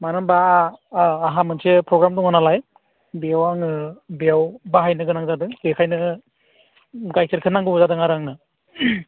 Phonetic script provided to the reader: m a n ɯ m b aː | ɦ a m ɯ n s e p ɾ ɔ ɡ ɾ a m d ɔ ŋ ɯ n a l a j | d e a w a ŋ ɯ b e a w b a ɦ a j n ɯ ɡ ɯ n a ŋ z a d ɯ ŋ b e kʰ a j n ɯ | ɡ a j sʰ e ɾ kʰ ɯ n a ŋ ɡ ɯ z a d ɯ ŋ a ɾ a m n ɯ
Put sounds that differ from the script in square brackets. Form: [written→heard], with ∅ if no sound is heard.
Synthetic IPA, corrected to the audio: m a n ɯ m b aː | ɦ a m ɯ n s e p ɾ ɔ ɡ ɾ a m d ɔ ŋ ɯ n a l a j | [d→b] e a w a ŋ ɯ b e a w b a ɦ a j n ɯ ɡ ɯ n a ŋ z a d ɯ ŋ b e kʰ a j n ɯ | ɡ a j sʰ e ɾ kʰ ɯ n a ŋ ɡ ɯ z a d ɯ ŋ a ɾ a [m→ŋ] n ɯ